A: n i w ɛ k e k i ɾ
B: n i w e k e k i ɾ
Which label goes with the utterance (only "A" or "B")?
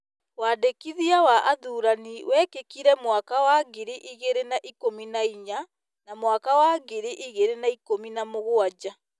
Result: A